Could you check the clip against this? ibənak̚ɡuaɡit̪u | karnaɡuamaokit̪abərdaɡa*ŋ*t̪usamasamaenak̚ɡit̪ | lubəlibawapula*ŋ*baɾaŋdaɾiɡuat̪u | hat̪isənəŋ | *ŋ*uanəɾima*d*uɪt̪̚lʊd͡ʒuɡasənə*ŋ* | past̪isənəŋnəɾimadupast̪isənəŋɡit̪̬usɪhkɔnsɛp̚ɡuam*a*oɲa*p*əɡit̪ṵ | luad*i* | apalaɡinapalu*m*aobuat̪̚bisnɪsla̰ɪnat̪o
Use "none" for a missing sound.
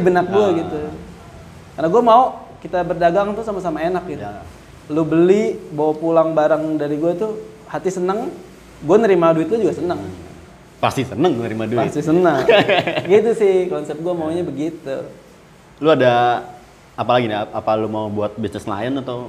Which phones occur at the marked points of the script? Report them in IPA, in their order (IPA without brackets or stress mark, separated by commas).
ŋ, ŋ, ɡ, d, ŋ, a, b, a, m